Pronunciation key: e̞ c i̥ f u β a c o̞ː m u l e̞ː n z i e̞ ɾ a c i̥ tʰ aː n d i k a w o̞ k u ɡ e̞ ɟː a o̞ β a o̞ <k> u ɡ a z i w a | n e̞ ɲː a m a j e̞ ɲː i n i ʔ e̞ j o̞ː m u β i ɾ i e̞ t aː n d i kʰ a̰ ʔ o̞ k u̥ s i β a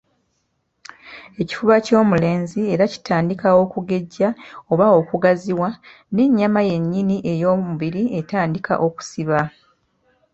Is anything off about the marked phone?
no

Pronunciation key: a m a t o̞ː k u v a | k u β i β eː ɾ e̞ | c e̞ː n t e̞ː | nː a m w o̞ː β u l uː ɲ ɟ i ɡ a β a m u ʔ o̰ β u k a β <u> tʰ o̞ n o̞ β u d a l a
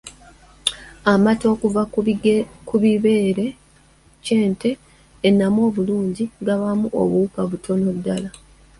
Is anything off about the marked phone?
no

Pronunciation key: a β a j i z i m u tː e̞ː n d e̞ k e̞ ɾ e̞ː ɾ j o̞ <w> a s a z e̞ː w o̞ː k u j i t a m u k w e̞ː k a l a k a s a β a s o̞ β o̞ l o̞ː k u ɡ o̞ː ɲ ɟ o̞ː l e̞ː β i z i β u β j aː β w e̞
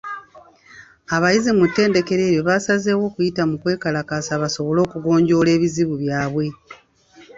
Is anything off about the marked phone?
yes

